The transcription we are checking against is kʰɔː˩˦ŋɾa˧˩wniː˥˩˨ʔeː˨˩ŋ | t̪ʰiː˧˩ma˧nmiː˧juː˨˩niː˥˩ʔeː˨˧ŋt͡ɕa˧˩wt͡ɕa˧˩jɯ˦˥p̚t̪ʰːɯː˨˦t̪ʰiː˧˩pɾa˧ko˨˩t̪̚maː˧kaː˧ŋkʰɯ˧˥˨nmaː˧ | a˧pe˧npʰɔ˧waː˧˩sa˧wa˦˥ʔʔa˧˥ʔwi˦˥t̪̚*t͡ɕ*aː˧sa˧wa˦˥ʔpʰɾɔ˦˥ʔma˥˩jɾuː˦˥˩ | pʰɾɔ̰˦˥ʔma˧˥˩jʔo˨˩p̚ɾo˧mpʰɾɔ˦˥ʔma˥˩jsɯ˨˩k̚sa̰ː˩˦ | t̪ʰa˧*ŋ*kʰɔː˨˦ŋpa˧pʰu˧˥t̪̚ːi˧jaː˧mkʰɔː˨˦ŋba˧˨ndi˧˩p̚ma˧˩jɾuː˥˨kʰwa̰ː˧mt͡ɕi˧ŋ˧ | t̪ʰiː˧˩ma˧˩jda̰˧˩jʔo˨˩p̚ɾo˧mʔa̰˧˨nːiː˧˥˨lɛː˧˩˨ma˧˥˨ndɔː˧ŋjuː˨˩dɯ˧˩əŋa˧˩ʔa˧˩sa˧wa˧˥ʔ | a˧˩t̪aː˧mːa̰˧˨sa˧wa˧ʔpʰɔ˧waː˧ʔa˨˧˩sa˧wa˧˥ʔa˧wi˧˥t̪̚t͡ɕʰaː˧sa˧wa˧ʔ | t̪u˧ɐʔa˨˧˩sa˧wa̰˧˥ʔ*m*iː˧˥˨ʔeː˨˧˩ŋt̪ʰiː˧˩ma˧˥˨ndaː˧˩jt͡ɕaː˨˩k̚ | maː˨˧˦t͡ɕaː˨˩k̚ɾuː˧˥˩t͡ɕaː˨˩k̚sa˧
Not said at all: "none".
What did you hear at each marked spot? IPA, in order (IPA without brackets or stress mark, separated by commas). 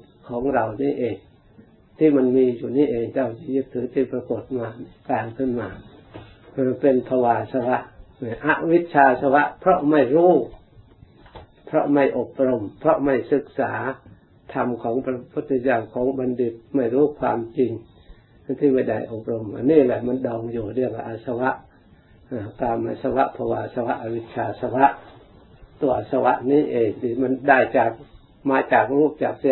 t͡ɕʰ, m, n